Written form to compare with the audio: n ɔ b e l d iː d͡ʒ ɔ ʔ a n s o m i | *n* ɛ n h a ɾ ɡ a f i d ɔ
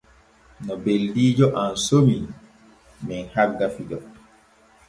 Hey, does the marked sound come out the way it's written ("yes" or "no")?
no